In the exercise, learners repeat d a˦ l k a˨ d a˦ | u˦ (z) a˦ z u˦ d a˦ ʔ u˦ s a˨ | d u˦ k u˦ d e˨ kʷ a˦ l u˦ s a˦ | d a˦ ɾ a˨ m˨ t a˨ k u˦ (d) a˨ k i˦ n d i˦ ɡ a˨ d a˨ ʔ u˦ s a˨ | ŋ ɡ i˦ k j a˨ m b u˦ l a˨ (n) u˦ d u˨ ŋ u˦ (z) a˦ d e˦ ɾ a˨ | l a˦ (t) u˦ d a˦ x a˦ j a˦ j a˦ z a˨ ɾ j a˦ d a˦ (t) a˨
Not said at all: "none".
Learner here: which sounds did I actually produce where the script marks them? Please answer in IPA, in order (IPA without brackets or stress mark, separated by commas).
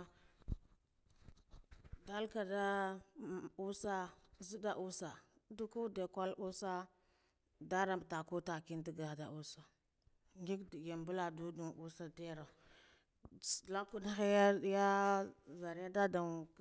s, t, d, s, k, d